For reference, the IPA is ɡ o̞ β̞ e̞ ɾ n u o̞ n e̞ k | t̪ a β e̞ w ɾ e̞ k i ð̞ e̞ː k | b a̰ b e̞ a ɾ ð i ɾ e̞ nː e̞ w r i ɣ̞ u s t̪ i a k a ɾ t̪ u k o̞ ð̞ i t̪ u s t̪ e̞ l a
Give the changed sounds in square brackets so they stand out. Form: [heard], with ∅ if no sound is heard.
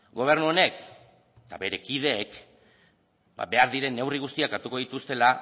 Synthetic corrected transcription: ɡ o̞ β̞ e̞ ɾ n u o̞ n e̞ k | t̪ a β e̞ [∅] ɾ e̞ k i ð̞ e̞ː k | b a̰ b e̞ a ɾ ð i ɾ e̞ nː e̞ w r i ɣ̞ u s t̪ i a k a ɾ t̪ u k o̞ ð̞ i t̪ u s t̪ e̞ l a